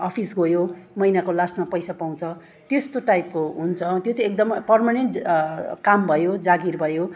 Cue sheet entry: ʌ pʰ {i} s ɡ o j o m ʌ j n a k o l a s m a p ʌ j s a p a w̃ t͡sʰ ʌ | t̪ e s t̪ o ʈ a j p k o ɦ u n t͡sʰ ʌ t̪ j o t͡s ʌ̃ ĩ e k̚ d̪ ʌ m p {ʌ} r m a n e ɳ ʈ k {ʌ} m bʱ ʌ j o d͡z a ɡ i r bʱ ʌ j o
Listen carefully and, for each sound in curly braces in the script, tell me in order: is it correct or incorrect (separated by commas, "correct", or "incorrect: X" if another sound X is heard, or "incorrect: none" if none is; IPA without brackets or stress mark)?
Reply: correct, correct, incorrect: a